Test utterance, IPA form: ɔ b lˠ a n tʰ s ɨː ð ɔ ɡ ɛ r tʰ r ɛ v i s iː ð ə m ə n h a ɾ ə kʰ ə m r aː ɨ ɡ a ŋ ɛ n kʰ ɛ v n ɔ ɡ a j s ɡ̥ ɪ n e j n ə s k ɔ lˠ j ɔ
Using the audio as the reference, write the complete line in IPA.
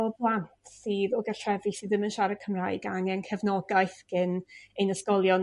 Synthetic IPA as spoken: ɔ b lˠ a n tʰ s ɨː ð ɔ ɡ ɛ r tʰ r ɛ v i s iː ð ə m ə n ʃ a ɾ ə kʰ ə m r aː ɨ ɡ a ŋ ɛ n kʰ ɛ v n ɔ ɡ a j θ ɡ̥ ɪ n e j n ə s k ɔ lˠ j ɔ

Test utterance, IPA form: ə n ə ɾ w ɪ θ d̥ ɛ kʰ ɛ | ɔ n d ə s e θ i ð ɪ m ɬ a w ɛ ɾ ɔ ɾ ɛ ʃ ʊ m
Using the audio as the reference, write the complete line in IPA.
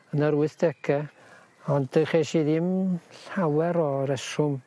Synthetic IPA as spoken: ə n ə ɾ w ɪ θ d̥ ɛ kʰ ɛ | ɔ n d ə χ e ʃ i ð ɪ m ɬ a w ɛ ɾ ɔ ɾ ɛ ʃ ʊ m

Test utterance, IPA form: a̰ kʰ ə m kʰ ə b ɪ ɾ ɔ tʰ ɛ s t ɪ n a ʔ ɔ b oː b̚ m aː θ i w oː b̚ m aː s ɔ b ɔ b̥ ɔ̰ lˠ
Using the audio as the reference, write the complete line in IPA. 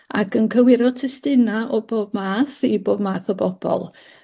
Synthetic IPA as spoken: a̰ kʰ ə n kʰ ə w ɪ ɾ ɔ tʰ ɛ s t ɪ n a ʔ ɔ b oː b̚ m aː θ i b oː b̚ m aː θ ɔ b ɔ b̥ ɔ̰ lˠ

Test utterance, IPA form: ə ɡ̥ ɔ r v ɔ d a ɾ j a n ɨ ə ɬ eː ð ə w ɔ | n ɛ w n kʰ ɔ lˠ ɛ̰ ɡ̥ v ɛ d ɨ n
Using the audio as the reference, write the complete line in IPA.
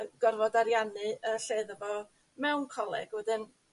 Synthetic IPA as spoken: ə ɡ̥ ɔ r v ɔ d a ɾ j a n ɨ ə ɬ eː ð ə v ɔ | m ɛ w n kʰ ɔ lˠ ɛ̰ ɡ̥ w ɛ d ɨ n

